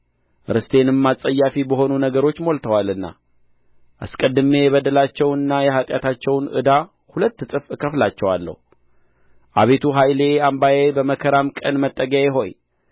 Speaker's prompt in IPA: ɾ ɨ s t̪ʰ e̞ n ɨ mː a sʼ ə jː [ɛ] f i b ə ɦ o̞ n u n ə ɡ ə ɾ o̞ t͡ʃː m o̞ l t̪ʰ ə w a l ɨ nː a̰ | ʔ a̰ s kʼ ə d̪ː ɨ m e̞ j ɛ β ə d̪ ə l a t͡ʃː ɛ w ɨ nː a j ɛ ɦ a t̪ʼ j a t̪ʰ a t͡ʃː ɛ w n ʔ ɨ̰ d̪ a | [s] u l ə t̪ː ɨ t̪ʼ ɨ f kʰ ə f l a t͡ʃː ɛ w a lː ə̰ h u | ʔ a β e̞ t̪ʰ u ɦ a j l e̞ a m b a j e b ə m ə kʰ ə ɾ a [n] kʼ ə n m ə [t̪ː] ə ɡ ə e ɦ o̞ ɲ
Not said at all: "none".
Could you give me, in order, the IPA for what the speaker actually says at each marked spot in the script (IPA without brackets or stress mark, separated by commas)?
a, h, m, t̪ʼː